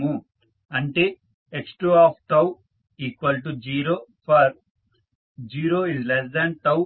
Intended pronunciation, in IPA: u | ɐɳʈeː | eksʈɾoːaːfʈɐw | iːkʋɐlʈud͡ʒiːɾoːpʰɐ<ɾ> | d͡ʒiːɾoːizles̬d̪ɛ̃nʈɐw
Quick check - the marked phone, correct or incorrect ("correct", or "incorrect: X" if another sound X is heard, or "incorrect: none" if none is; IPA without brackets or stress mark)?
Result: correct